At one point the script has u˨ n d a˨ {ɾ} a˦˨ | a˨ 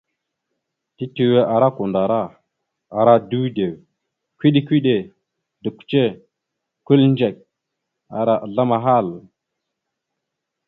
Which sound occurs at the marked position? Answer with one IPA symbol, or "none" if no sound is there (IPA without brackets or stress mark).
ɾ